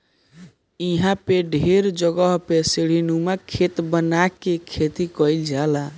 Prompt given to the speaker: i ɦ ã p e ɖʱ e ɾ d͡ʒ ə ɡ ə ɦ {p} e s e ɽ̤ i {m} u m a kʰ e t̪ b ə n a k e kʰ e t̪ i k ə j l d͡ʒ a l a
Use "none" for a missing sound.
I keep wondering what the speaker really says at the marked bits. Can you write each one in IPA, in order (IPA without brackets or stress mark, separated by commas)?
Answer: p, n